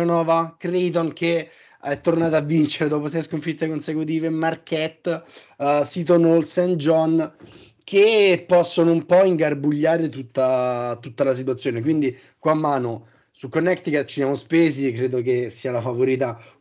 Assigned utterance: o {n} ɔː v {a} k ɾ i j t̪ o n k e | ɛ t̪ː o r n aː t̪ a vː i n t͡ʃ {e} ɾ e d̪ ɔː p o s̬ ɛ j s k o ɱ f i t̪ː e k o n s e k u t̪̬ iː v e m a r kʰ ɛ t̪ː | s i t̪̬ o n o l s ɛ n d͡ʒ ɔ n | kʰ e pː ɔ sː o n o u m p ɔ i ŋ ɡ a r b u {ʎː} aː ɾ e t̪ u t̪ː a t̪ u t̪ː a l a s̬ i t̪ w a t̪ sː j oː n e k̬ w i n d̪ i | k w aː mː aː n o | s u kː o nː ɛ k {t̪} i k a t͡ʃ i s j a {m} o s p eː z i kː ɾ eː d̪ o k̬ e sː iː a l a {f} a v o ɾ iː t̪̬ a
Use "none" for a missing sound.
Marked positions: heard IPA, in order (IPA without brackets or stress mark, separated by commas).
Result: n, a, e, ʎː, t̪, m, f